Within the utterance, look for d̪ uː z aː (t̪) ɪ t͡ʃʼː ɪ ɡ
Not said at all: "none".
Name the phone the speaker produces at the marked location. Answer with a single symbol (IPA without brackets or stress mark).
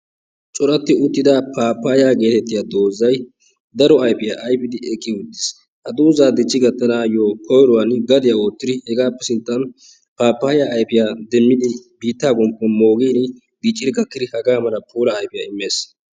d̪